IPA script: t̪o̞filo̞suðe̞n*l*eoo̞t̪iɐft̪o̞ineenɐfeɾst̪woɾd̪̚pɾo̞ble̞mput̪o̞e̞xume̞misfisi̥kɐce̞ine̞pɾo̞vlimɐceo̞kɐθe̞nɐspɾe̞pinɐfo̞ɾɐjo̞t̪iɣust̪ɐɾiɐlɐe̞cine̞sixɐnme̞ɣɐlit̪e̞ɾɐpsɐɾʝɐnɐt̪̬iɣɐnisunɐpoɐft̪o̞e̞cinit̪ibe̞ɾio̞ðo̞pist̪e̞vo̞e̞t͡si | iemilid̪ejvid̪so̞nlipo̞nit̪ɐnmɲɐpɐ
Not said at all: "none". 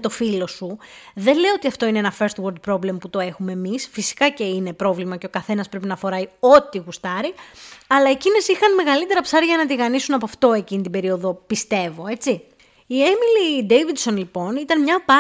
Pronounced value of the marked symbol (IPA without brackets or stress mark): l